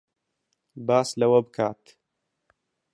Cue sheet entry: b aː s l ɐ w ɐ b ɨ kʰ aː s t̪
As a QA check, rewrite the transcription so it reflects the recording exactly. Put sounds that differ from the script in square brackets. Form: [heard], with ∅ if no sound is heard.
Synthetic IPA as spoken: b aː s l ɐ w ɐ b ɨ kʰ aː [∅] t̪